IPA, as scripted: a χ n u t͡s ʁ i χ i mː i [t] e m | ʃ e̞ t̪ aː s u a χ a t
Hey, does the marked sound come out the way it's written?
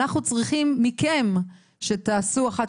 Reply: no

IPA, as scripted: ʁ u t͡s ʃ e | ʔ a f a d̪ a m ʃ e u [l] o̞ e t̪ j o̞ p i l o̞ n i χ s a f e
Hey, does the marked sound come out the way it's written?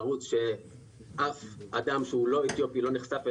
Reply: yes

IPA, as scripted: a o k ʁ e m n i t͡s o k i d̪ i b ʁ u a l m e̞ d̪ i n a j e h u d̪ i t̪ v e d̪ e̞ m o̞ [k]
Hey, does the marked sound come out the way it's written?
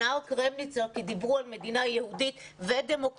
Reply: yes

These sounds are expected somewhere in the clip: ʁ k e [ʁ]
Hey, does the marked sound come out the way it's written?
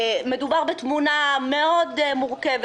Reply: no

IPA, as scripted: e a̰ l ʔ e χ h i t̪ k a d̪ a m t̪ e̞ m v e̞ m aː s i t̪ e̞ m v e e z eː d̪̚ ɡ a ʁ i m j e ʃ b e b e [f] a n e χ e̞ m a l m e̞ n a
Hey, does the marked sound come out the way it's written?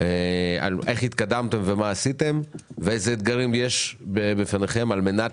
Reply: yes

